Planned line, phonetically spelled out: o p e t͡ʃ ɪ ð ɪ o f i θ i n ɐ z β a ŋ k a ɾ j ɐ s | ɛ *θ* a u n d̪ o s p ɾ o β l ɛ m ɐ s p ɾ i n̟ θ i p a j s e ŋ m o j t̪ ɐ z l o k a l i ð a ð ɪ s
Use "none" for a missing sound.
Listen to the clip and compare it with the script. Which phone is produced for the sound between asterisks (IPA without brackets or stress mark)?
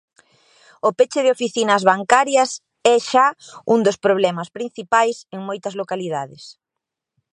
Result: ʃ